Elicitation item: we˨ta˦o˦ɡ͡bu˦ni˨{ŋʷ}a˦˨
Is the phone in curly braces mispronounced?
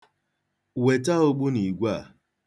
yes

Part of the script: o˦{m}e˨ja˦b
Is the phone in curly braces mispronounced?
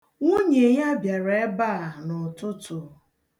yes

